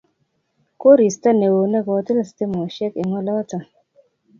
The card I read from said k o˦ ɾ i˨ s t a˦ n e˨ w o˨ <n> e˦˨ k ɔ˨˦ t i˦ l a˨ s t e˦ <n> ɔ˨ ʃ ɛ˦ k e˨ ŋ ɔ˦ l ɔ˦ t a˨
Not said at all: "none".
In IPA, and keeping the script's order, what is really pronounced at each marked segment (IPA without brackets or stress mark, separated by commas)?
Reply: n, m